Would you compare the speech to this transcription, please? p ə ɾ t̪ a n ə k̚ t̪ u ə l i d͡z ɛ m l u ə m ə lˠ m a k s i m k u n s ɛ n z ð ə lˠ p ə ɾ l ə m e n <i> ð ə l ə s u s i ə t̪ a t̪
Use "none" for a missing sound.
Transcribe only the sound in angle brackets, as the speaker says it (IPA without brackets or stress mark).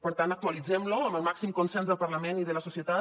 i